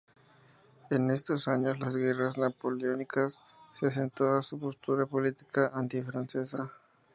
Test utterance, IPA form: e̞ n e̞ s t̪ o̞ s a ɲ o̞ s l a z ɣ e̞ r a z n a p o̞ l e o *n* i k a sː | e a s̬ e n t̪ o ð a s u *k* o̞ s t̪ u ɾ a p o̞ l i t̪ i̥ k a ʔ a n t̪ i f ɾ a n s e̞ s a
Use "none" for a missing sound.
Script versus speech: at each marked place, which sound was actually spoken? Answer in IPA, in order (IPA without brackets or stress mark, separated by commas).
n, p